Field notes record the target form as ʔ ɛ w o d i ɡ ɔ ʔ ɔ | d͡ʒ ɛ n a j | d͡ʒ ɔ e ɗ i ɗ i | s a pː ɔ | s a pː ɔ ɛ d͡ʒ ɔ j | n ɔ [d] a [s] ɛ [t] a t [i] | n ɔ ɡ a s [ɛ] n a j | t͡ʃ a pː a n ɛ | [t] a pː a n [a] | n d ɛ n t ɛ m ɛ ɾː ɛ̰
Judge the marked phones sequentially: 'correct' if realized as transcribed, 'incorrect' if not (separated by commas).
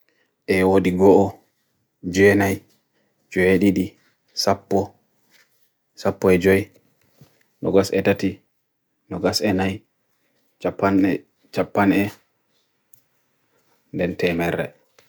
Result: incorrect, correct, correct, correct, correct, incorrect, incorrect